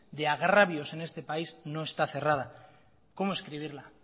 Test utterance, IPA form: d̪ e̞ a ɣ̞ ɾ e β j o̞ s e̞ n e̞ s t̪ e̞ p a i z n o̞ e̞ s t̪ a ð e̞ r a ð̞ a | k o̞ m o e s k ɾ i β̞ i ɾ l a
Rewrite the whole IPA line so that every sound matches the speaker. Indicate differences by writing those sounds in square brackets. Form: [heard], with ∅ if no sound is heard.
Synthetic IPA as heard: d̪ e̞ a ɣ̞ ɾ [a] β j o̞ s e̞ n e̞ s t̪ e̞ p a i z n o̞ e̞ s t̪ a [θ] e̞ r a ð̞ a | k o̞ m o e s k ɾ i β̞ i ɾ l a